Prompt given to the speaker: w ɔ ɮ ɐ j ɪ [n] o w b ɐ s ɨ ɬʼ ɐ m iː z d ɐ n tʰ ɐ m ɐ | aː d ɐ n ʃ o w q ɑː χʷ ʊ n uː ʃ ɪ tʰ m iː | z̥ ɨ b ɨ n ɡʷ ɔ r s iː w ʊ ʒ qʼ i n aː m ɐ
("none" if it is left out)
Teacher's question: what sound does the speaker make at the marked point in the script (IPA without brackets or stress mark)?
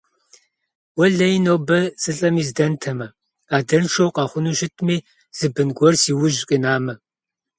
n